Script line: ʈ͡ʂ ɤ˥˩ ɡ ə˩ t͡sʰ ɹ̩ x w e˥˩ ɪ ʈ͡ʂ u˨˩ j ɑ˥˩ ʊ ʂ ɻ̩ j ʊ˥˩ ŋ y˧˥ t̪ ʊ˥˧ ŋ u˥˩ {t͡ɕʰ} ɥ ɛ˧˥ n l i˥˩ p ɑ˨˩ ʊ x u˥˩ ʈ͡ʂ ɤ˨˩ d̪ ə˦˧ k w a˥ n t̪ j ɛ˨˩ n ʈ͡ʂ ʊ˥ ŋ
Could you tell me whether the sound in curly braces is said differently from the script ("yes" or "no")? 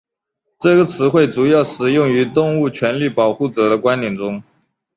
no